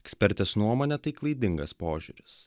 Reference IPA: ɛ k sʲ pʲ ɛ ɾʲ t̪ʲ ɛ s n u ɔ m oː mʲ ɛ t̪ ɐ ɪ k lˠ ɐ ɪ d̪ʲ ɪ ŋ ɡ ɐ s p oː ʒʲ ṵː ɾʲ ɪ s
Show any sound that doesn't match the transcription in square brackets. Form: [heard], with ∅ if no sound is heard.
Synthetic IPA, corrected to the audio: ɛ k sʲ pʲ ɛ ɾʲ t̪ʲ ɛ s n u ɔ m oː [nʲ] ɛ t̪ ɐ ɪ k lˠ ɐ ɪ d̪ʲ ɪ ŋ ɡ ɐ s p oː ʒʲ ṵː ɾʲ ɪ s